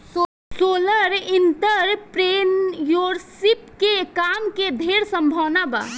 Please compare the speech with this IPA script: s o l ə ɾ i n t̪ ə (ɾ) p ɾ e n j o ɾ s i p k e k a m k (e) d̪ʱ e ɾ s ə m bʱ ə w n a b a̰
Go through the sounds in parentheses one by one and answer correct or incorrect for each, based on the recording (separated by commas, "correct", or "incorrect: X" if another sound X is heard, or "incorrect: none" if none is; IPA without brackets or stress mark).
correct, correct